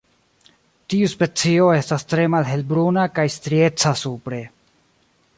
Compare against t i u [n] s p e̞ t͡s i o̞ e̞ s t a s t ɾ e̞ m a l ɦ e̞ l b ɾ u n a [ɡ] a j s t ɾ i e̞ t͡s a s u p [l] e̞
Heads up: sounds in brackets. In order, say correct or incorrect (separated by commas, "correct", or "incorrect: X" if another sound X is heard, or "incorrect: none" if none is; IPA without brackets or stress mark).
incorrect: none, incorrect: k, incorrect: ɾ